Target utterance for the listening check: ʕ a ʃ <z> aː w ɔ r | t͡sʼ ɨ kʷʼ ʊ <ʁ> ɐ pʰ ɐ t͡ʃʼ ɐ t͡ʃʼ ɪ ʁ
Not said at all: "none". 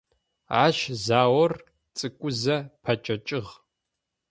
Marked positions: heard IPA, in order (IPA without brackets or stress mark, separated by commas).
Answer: z, z